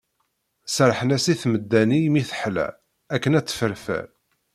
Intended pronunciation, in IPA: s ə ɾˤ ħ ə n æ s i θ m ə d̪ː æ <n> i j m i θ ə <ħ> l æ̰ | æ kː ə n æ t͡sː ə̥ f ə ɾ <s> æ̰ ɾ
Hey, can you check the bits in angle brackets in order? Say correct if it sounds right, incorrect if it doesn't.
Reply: correct, correct, incorrect

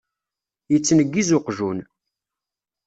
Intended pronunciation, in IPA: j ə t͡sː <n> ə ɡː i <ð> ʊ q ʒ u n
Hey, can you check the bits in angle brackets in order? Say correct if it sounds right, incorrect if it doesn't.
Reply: correct, incorrect

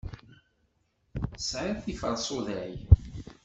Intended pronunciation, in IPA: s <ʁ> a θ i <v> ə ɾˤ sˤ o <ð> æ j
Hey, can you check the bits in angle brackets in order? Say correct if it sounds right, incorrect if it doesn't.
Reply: incorrect, incorrect, correct

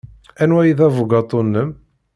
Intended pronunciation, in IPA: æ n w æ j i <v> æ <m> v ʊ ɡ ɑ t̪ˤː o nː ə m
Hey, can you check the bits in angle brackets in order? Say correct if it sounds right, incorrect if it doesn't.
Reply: incorrect, incorrect

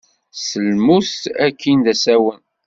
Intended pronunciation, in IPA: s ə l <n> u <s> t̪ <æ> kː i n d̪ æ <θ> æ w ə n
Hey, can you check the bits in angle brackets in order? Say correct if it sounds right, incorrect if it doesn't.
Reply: incorrect, correct, correct, incorrect

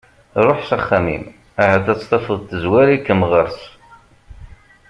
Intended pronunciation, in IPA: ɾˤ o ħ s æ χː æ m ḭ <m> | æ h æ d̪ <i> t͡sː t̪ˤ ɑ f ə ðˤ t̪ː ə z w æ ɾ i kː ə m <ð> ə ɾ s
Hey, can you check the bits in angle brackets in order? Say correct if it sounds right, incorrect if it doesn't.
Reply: correct, incorrect, incorrect

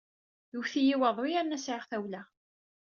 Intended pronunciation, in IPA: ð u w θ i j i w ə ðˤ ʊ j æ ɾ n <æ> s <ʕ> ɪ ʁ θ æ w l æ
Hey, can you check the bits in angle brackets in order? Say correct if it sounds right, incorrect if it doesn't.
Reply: correct, correct

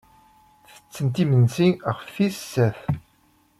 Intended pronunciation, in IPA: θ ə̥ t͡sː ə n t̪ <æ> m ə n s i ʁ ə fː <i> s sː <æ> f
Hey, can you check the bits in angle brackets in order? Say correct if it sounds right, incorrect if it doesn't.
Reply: incorrect, correct, correct

